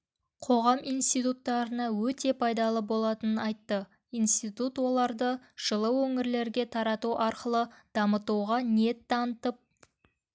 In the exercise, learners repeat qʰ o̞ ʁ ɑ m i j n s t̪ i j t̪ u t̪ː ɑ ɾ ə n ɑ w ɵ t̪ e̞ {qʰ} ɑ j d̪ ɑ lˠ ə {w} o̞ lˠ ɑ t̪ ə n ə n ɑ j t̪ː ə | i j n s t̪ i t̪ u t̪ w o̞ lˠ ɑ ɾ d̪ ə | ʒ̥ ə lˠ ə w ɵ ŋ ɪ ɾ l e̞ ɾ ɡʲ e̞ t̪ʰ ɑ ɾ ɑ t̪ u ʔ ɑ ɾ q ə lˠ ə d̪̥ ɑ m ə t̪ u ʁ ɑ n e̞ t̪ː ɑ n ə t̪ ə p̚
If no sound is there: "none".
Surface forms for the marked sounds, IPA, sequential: pʰ, b

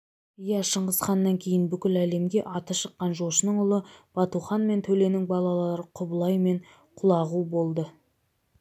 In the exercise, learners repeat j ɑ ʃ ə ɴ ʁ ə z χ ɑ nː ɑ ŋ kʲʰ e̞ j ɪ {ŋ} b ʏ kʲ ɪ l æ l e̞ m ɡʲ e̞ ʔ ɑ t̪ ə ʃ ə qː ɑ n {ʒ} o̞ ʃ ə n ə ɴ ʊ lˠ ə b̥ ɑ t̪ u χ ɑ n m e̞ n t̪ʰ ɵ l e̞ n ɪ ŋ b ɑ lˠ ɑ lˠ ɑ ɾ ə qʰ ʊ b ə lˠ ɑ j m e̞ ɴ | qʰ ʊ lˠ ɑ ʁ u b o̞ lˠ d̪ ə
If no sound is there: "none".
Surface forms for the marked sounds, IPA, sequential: n, ʒ

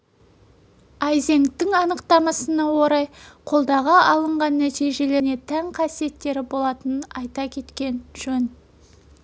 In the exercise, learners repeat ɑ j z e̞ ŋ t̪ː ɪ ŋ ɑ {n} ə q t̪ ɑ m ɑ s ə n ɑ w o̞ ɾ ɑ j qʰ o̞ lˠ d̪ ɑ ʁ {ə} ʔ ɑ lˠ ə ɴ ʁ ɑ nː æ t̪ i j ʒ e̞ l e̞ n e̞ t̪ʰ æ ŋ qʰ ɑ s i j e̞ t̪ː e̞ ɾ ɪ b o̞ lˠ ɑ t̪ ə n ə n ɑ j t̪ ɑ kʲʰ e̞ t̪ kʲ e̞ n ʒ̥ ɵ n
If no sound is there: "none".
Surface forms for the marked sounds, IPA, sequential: n, ɑ

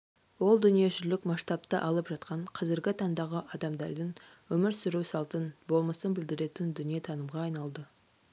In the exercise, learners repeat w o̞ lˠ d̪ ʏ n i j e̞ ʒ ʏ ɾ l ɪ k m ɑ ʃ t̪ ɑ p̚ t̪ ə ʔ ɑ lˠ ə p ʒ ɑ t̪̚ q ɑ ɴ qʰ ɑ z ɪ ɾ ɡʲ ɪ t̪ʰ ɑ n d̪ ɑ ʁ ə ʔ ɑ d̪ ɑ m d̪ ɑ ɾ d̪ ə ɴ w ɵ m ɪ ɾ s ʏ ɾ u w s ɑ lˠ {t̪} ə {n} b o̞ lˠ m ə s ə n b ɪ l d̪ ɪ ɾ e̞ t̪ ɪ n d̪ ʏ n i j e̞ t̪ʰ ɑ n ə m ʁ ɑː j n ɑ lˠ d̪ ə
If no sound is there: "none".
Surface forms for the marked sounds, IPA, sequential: t̪, n

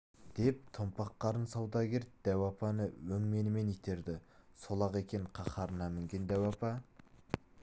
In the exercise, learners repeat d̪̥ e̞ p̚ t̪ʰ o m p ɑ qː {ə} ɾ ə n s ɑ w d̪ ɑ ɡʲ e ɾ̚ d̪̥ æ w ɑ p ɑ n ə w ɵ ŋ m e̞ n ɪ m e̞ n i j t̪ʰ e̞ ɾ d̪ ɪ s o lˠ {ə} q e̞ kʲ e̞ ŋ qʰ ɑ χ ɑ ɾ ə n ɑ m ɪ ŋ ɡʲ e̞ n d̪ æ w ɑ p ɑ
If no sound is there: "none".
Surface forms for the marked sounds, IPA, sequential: ɑ, ɑ

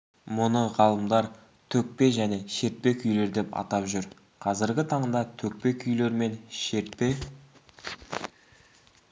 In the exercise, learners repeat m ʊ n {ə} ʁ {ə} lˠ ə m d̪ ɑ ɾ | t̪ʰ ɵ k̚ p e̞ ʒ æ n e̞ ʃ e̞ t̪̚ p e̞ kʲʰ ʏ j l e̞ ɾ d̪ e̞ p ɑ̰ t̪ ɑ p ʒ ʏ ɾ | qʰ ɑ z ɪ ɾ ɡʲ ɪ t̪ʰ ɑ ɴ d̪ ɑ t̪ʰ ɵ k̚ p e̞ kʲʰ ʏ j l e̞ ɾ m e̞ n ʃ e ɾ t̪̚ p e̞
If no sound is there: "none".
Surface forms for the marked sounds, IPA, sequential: ə, ɑ

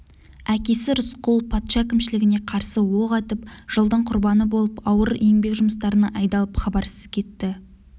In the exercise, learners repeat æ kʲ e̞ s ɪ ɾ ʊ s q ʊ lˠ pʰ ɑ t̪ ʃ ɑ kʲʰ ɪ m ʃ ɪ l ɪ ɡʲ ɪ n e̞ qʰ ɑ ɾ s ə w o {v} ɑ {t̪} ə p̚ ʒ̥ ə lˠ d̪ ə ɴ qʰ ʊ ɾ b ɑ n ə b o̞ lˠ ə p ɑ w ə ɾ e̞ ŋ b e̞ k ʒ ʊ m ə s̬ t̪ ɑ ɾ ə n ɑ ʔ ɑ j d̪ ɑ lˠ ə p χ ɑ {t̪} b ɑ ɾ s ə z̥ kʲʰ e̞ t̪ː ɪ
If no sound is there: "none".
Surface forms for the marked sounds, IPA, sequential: ʁ, t̪, none

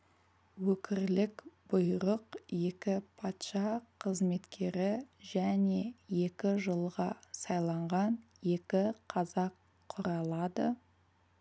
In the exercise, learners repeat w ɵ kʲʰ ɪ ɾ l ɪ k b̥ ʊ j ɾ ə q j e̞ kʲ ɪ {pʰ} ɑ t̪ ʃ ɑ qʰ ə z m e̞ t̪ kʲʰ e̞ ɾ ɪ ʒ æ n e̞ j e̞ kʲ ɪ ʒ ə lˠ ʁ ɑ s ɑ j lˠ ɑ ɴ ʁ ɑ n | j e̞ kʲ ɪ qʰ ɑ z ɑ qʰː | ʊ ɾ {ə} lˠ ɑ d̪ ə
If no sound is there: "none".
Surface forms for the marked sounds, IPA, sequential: pʰ, ɑ

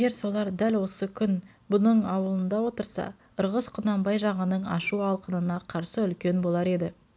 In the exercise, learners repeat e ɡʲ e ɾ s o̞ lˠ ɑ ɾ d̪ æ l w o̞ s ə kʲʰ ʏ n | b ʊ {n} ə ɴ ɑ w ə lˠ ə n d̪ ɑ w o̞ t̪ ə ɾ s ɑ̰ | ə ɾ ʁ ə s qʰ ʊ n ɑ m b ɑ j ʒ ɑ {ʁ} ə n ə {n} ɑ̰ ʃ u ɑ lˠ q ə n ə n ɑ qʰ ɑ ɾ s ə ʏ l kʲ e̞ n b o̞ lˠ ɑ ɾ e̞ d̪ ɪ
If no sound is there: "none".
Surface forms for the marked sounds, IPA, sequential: n, ʁ, ɴ

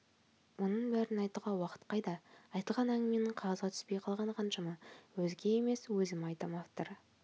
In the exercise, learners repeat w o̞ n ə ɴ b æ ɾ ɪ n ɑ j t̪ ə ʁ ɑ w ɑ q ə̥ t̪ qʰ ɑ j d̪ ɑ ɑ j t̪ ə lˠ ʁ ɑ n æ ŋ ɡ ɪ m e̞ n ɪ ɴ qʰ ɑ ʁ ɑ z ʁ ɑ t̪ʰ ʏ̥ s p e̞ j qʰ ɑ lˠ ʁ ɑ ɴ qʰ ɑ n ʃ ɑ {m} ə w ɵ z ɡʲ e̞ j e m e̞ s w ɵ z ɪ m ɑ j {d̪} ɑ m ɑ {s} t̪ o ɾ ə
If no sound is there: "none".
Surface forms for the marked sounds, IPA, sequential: m, t̪, f

